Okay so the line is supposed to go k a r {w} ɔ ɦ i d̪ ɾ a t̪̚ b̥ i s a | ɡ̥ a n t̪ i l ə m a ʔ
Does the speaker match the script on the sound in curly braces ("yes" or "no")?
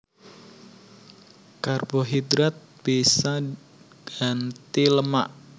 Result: no